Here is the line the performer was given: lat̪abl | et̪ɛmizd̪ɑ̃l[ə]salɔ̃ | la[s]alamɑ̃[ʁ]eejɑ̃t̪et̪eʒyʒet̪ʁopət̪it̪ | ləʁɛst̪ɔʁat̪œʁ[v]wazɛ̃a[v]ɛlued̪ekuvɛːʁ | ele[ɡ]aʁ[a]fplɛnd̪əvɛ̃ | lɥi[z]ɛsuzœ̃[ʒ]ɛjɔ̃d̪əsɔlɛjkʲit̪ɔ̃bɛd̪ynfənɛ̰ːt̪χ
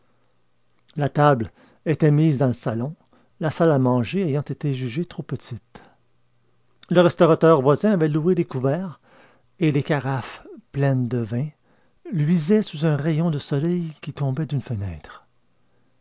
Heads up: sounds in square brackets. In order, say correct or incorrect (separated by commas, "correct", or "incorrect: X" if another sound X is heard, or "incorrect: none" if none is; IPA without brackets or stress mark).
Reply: correct, correct, incorrect: ʒ, correct, correct, incorrect: k, correct, correct, incorrect: ʁ